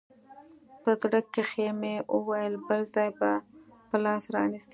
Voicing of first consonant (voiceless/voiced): voiceless